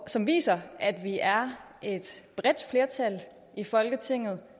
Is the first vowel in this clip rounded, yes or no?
yes